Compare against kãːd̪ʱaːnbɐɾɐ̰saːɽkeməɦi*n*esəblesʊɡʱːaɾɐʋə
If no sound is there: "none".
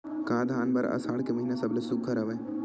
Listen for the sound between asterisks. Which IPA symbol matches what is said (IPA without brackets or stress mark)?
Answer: n